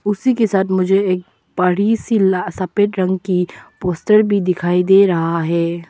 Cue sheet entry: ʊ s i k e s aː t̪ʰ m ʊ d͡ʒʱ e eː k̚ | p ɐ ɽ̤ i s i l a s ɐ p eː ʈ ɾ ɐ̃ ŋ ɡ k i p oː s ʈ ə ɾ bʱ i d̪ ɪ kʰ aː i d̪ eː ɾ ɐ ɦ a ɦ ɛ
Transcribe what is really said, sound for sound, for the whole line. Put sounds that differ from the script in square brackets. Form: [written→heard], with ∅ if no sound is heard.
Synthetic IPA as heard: ʊ s i k e s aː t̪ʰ m ʊ d͡ʒʱ e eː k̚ | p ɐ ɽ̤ i s i l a s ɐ p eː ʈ ɾ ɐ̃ ŋ ɡ k i p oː s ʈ ə ɾ bʱ i d̪ ɪ kʰ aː i d̪ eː ɾ ɐ ɦ a ɦ [ɛ→ɛː]

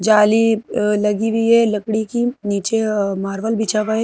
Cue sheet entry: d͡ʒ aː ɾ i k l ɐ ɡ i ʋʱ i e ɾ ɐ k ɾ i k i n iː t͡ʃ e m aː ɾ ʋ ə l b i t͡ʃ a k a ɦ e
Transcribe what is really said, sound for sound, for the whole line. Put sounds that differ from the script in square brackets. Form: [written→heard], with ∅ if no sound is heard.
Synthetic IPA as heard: d͡ʒ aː [ɾ→l] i [k→∅] l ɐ ɡ i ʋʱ i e [ɾ→l] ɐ k [ɾ→ɽ] i k i n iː t͡ʃ e m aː ɾ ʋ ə l b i t͡ʃ a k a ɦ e

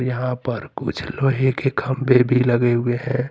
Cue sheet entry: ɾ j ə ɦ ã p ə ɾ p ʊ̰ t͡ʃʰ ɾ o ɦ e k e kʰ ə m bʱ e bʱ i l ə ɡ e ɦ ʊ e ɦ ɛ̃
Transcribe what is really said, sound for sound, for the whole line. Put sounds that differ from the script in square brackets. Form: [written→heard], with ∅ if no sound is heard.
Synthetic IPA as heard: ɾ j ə ɦ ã p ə ɾ [p→k] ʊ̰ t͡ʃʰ [ɾ→l] o ɦ e k e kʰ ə m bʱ e bʱ i l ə ɡ e ɦ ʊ e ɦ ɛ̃

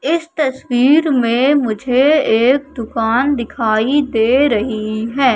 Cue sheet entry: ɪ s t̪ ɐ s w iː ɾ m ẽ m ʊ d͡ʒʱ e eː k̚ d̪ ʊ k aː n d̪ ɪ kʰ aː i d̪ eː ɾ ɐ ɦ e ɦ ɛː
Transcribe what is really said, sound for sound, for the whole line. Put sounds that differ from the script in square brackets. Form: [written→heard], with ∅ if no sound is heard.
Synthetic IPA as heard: ɪ s t̪ ɐ s w iː ɾ m ẽ m ʊ d͡ʒʱ e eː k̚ d̪ ʊ k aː n d̪ ɪ kʰ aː i d̪ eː ɾ ɐ ɦ [e→i] ɦ ɛː

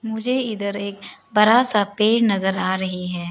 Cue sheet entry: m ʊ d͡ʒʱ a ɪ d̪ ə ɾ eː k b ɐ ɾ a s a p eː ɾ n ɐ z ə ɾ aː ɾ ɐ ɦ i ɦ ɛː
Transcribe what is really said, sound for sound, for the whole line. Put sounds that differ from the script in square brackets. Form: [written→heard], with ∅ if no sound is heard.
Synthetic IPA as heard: m ʊ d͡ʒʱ [a→e] ɪ d̪ ə ɾ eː k b ɐ ɾ a s a p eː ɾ n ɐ z ə ɾ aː ɾ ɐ ɦ i ɦ ɛː

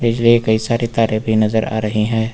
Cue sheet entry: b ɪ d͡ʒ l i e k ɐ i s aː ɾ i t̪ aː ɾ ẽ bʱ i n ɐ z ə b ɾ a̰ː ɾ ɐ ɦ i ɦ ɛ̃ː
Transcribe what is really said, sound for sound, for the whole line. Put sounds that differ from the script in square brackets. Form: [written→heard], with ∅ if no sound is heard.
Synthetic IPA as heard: b ɪ d͡ʒ l i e k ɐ i s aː ɾ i t̪ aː ɾ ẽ bʱ i n ɐ z ə [b→∅] ɾ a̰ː ɾ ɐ ɦ i ɦ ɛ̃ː

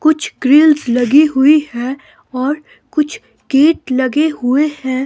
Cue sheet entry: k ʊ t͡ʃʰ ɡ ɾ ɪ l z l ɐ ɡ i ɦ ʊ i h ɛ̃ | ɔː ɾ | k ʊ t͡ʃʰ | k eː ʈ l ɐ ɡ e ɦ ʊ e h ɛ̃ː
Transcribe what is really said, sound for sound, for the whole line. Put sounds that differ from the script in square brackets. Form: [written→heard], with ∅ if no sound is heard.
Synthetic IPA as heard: k ʊ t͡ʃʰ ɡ ɾ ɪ l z l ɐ ɡ i ɦ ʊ i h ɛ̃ | ɔː ɾ | k ʊ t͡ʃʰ | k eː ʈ l ɐ ɡ e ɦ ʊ e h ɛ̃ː

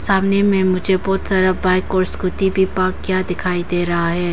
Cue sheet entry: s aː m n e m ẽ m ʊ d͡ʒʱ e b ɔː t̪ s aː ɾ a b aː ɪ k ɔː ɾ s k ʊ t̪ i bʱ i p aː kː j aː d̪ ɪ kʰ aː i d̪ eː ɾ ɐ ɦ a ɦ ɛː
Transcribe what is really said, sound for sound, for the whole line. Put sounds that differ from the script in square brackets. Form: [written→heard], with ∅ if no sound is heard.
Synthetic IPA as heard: s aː m n e m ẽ m ʊ d͡ʒʱ e b ɔː t̪ s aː ɾ a b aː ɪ k ɔː ɾ s k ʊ t̪ i bʱ i p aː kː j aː d̪ ɪ kʰ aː i d̪ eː ɾ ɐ ɦ a ɦ ɛː

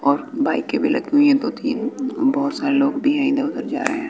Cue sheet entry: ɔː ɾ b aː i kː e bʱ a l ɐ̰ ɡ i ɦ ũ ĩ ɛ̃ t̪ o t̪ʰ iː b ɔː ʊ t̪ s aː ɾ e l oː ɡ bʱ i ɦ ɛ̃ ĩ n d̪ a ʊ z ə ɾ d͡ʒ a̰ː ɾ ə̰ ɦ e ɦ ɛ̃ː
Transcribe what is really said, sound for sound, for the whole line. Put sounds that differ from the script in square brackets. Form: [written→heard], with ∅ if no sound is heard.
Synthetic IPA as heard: ɔː ɾ b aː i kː e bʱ [a→i] l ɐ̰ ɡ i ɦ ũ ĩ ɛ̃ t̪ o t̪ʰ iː b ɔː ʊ t̪ s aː ɾ e l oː ɡ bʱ i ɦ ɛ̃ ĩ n d̪ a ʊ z ə ɾ d͡ʒ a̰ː ɾ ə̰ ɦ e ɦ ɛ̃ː

